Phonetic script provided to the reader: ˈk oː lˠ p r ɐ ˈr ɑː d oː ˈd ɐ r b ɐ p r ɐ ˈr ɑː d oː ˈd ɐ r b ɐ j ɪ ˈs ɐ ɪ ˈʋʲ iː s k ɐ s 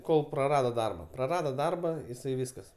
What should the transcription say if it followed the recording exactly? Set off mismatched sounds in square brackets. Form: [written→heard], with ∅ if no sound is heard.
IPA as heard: ˈk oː lˠ p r ɐ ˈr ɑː d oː ˈd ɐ r b ɐ p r ɐ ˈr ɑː d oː ˈd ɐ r b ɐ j ɪ ˈs ɐ ɪ ˈʋʲ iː s k ɐ s